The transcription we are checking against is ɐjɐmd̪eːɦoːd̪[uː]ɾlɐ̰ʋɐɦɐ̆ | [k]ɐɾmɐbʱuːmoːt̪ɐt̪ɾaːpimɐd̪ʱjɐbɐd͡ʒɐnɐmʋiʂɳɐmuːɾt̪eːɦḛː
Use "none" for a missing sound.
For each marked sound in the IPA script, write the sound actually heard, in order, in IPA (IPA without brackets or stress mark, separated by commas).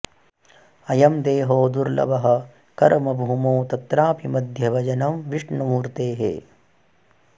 u, k